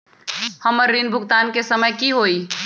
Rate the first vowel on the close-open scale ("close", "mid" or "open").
mid